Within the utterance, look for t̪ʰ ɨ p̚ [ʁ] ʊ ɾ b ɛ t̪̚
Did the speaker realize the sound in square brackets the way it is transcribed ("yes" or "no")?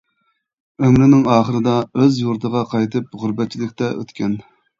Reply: yes